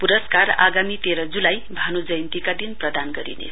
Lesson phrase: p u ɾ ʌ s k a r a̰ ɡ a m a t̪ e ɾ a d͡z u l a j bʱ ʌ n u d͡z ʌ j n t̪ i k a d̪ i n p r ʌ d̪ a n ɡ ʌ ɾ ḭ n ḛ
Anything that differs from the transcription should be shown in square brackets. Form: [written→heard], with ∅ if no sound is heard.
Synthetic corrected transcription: p u ɾ ʌ s k a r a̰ ɡ a m [a→i] t̪ e ɾ [a→ʌ] d͡z u l a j bʱ [ʌ→a] n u d͡z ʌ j n t̪ i k a d̪ i n p r ʌ d̪ a n ɡ ʌ ɾ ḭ n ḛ